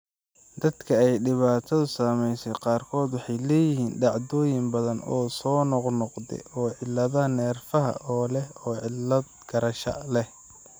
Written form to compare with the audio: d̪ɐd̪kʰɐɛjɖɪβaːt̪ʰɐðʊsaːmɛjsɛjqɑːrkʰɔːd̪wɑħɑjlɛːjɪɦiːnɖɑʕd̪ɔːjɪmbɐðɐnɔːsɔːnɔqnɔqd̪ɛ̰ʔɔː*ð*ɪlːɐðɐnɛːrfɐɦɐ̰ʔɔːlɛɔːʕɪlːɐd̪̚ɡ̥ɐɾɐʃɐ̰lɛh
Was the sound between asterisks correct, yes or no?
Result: no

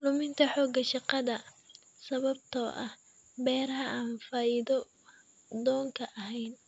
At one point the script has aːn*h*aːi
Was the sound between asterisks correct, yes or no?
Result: no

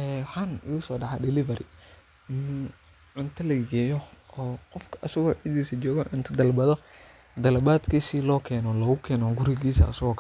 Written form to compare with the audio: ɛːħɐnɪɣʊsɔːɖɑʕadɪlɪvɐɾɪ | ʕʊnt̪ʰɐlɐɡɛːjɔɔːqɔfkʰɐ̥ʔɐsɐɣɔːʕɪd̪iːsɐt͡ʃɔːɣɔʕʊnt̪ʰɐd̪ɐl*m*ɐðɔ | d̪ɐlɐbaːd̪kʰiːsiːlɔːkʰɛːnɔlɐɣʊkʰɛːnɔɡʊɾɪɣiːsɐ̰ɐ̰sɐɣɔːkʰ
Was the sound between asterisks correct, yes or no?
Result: no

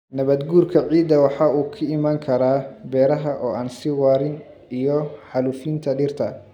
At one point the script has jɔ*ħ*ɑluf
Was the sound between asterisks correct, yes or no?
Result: yes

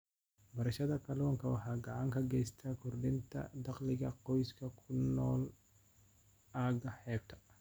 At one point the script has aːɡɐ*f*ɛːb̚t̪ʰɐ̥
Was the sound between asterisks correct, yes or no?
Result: no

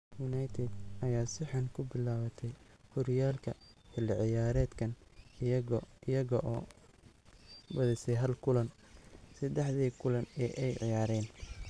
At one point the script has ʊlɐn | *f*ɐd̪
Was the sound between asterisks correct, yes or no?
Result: no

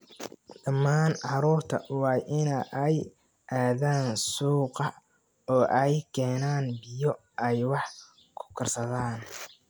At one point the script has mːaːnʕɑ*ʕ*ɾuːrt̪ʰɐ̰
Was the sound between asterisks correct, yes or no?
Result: no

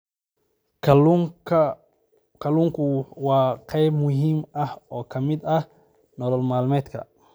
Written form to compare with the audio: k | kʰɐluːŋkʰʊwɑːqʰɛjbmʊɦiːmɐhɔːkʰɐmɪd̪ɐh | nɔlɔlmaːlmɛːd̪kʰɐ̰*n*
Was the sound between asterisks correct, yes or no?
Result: no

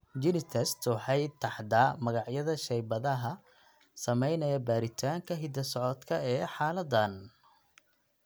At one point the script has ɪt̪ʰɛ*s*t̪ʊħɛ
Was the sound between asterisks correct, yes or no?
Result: yes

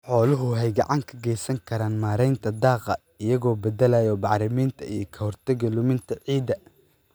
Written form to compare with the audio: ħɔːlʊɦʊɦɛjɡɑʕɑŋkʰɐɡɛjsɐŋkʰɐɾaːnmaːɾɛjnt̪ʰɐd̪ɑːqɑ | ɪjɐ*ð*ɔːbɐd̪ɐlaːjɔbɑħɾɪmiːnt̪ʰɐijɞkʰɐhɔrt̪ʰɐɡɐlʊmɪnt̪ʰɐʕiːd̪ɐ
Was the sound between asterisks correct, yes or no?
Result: no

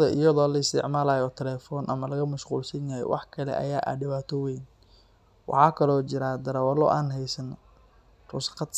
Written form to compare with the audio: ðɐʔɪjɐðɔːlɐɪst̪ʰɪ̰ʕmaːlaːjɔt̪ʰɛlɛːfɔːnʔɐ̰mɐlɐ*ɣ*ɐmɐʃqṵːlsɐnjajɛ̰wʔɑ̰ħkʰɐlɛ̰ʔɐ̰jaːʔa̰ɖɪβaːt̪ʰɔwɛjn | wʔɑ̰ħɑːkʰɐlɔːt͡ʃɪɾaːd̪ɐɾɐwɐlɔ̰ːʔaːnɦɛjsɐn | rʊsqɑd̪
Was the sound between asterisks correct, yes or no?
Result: yes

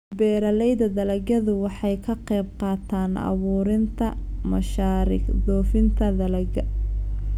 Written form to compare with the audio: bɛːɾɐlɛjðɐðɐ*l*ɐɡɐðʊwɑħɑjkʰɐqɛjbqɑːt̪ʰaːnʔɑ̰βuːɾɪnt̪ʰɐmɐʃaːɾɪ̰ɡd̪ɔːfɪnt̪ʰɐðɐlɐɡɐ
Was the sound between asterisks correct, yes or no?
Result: yes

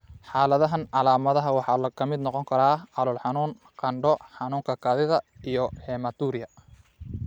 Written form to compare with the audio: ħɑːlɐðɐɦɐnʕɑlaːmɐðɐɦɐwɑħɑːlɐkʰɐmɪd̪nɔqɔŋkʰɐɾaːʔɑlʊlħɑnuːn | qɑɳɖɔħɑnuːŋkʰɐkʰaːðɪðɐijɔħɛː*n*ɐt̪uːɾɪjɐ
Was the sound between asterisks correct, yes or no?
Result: no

